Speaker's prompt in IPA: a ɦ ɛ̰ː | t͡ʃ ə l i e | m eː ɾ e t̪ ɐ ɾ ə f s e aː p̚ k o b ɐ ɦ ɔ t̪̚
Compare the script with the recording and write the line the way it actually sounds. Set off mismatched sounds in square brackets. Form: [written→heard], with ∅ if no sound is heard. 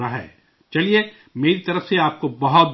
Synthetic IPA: a ɦ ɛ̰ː | t͡ʃ [ə→ɐ] l i e | m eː ɾ [e→i] t̪ ɐ ɾ ə f s e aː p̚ k o b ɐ ɦ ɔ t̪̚